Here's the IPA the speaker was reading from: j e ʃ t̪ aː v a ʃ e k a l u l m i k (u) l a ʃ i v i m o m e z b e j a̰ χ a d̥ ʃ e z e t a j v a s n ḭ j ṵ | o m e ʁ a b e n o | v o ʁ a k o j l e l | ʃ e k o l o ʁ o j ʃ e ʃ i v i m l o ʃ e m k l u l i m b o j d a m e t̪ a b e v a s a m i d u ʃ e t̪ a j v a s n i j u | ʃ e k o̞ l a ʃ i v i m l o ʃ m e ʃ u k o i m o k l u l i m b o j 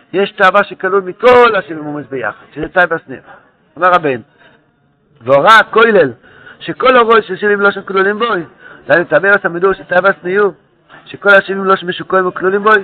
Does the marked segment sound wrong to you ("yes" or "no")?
yes